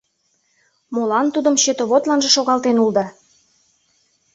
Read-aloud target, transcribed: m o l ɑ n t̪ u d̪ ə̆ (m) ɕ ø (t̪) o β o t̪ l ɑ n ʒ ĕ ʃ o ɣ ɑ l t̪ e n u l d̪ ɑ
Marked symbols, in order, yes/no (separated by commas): yes, yes